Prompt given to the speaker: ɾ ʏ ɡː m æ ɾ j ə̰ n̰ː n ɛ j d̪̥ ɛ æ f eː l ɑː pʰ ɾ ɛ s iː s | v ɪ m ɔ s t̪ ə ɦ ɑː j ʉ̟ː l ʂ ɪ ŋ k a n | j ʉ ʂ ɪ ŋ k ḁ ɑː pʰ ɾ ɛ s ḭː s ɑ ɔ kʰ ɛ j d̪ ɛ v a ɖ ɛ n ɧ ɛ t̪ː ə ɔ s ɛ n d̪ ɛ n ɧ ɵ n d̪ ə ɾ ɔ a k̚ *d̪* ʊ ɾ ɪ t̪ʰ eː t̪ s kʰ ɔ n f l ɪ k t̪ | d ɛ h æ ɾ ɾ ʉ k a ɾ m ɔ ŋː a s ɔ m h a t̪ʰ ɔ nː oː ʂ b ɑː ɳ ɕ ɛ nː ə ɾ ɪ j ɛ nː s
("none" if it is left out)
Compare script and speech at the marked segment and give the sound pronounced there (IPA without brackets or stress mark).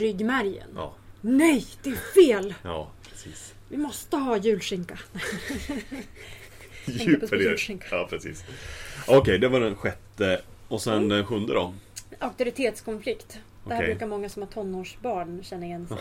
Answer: t̪